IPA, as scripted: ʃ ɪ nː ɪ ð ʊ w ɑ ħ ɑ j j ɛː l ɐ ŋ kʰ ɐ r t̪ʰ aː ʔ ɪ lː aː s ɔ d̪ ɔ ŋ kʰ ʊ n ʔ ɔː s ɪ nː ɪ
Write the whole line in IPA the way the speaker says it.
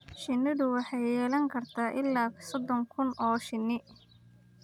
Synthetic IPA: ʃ ɪ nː ɪ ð ʊ w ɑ ħ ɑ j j ɛː l ɐ ŋ kʰ ɐ r t̪ʰ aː ʔ ɪ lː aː s ɔ d̪ ɔ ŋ kʰ ʊ n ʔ ɔː ʃ ɪ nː ɪ